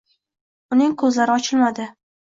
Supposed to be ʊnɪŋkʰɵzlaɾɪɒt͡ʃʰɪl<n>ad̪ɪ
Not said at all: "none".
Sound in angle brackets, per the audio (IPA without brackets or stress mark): m